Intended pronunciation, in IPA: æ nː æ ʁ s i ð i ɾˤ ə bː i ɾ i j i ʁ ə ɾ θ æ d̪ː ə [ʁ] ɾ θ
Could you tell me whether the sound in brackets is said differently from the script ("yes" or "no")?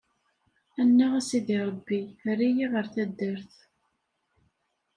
yes